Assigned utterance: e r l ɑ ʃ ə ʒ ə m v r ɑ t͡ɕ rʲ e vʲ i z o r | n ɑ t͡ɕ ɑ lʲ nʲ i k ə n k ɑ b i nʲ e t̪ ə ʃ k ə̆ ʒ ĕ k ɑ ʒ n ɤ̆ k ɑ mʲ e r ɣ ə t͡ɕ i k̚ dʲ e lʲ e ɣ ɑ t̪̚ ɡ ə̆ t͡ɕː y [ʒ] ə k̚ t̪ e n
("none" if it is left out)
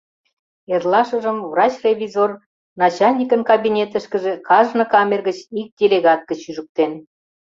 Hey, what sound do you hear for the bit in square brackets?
ʒ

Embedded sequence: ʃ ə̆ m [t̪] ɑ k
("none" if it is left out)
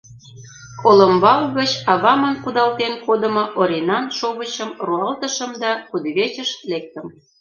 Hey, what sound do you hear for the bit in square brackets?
d̪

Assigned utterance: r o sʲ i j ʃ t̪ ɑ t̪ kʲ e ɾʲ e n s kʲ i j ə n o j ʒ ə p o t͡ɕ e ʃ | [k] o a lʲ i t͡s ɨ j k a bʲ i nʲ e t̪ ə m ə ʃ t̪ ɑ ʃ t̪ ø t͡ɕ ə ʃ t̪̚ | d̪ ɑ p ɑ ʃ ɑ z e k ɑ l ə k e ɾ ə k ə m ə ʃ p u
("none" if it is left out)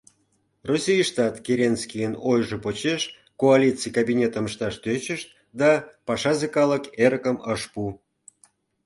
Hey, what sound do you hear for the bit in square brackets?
k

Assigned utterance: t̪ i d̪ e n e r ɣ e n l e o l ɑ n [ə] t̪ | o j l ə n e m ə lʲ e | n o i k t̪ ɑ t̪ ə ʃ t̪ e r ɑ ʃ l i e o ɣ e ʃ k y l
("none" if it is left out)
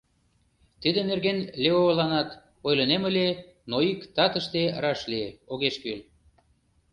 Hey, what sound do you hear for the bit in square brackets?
ɑ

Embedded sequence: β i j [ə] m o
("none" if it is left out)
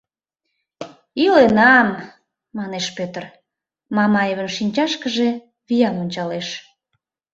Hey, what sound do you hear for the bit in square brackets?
ɑ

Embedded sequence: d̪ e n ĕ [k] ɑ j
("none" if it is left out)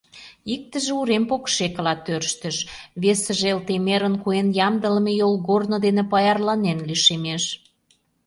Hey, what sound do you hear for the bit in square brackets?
p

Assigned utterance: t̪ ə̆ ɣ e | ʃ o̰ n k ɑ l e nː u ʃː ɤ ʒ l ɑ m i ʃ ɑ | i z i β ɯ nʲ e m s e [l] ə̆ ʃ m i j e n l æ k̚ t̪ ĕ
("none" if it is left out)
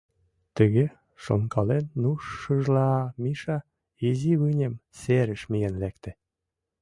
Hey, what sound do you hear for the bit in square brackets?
ɾ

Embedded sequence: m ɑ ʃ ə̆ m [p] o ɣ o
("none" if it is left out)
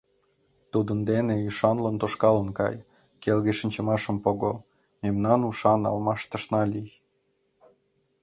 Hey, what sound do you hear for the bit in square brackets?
p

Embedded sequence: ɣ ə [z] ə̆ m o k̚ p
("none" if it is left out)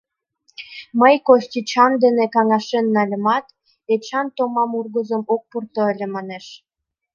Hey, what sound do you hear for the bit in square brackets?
z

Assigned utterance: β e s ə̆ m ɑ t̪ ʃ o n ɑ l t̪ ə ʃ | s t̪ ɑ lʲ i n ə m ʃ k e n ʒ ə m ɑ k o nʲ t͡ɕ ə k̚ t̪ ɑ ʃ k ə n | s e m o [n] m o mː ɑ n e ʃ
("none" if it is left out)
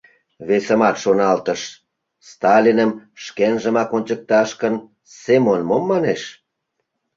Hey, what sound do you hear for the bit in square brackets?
n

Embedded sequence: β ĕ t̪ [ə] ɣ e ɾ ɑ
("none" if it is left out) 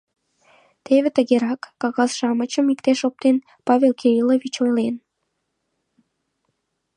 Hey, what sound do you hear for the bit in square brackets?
ə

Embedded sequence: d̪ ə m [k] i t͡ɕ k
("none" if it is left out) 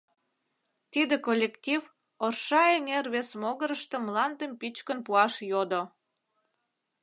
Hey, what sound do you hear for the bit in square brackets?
p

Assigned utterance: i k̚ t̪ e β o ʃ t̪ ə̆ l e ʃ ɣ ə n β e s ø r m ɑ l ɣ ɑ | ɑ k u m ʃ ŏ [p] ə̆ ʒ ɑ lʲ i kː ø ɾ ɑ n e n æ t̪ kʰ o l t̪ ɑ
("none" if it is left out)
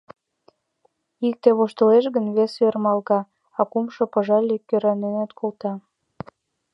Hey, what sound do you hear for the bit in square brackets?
p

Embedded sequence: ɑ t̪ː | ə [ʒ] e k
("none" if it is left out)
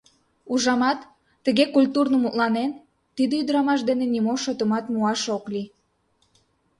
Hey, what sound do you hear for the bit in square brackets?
ɣ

